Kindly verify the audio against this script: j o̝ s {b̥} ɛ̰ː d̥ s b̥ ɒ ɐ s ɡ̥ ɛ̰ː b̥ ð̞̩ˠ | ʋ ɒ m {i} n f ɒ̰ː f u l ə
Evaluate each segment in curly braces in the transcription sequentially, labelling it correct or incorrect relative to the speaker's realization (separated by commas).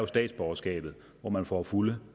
incorrect, incorrect